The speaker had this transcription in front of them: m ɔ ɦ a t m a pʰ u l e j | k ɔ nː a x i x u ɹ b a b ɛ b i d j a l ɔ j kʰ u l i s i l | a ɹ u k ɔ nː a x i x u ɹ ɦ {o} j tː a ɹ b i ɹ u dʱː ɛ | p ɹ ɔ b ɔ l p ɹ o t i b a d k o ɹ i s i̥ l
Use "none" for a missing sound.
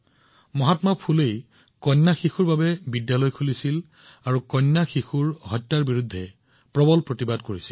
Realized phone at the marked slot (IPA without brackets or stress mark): ɔ